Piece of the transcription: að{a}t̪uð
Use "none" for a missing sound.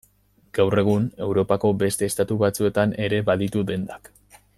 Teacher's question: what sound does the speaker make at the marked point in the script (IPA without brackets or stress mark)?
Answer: i